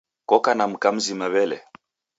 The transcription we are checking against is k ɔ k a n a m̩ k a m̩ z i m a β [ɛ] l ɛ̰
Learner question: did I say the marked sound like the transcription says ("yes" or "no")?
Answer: yes